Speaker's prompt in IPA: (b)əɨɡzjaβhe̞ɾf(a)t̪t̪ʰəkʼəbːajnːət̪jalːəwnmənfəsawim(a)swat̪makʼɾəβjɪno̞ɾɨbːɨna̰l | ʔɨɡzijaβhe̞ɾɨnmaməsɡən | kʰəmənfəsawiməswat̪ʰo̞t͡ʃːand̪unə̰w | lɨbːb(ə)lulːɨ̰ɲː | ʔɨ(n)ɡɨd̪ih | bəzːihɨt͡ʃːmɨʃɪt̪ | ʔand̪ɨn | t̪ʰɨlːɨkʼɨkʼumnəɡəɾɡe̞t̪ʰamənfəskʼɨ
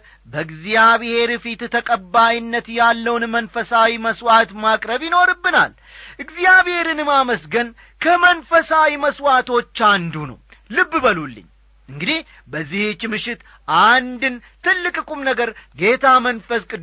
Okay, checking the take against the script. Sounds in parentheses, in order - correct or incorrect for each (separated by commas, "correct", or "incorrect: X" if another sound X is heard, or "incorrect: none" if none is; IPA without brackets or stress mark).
correct, incorrect: i, incorrect: ə, correct, incorrect: ŋ